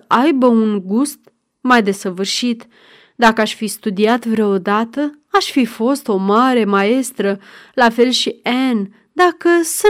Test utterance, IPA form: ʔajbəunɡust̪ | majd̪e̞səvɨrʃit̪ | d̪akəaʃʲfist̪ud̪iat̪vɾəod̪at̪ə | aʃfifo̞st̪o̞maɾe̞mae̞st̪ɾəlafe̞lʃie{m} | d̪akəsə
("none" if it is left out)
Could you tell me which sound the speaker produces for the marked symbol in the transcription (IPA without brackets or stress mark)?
n